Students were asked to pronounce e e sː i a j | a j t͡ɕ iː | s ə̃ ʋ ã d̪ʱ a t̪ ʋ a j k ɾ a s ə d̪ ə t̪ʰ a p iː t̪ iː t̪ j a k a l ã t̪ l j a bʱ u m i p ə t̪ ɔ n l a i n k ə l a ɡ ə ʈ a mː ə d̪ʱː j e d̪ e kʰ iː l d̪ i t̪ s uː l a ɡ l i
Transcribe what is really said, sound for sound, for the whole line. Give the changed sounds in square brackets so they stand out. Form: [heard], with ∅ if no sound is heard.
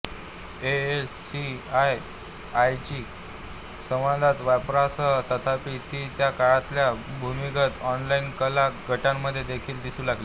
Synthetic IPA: e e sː i a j | a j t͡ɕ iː | s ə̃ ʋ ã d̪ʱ a t̪ ʋ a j [p] ɾ a s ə [t̪] ə t̪ʰ a p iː t̪ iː t̪ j a k a [ɭ] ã t̪ l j a bʱ u m i [k] ə t̪ ɔ n l a i n k ə l a ɡ ə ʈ a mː ə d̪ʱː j e d̪ e kʰ iː l d̪ i [∅] s uː l a ɡ l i